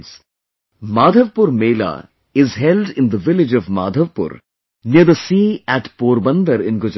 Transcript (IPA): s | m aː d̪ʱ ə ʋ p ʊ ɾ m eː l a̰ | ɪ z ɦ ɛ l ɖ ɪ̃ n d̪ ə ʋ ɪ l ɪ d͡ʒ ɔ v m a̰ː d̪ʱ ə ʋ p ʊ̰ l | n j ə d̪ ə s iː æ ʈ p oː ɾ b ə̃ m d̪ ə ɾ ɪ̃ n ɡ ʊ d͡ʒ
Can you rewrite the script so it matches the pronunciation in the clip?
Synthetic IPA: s | m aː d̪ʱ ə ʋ p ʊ ɾ m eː l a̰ | ɪ z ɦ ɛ l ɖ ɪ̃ n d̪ ə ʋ ɪ l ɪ d͡ʒ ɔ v m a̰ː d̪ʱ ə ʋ p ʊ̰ ɾ | n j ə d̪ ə s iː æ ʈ p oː ɾ b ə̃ n d̪ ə ɾ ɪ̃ n ɡ ʊ d͡ʒ